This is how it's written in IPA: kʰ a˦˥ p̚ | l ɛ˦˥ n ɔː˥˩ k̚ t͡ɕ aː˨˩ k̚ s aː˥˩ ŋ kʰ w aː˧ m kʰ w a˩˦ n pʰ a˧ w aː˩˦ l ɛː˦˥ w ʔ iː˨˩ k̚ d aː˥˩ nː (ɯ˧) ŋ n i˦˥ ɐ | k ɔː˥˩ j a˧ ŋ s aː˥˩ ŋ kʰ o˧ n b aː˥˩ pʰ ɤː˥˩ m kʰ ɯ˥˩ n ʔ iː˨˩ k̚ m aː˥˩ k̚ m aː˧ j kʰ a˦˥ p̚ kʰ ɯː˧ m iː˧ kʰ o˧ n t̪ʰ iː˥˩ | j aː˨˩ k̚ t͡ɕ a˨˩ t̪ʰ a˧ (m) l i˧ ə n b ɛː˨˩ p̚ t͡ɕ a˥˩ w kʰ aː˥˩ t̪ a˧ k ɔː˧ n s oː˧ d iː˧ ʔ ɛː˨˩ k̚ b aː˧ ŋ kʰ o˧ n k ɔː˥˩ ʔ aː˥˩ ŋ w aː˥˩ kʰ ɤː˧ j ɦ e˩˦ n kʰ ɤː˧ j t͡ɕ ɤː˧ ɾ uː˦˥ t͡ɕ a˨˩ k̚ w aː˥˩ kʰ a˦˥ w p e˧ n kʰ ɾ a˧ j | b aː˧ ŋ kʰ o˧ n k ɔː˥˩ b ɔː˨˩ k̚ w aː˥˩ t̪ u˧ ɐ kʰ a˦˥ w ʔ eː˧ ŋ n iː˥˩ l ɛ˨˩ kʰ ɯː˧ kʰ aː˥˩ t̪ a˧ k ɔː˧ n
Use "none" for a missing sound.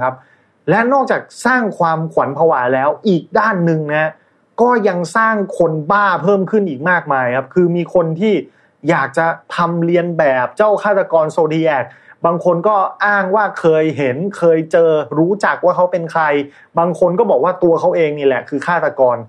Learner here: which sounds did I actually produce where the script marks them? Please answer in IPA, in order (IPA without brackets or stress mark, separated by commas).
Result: ɯ˧, m